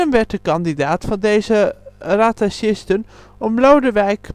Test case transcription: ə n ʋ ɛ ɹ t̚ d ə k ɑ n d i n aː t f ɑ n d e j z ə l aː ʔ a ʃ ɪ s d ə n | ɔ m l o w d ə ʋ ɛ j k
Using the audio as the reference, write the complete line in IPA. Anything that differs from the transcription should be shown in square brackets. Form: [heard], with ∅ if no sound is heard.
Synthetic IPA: ə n ʋ ɛ ɹ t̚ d ə k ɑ n d i [d] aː t f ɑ n d e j z ə [r] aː [t] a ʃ ɪ s [t] ə n | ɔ m l o w d ə ʋ ɛ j k